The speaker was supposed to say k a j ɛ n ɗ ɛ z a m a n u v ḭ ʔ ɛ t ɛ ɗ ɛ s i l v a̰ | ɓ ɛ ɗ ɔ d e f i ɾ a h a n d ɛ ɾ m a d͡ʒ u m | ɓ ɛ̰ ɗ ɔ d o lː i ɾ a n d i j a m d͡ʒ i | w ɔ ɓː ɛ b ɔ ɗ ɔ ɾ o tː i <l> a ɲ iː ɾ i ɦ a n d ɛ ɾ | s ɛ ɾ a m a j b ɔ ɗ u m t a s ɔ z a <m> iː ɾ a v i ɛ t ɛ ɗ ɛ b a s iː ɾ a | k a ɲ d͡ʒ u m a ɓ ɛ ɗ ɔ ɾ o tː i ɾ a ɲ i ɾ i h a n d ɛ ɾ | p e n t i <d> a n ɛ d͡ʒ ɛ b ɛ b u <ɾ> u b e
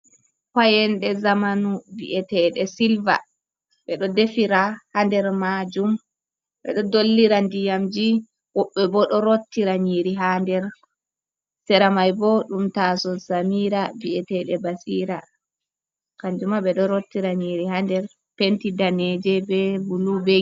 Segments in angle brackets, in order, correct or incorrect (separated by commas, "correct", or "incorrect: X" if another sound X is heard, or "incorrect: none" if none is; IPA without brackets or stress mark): incorrect: ɾ, correct, correct, incorrect: l